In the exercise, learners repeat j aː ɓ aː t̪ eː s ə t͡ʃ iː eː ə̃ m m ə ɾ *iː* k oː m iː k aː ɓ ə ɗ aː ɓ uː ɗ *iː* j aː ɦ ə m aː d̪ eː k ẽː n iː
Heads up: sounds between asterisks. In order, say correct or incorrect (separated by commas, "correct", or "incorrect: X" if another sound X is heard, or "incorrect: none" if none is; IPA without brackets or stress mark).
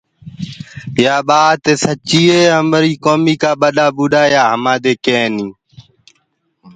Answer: correct, incorrect: aː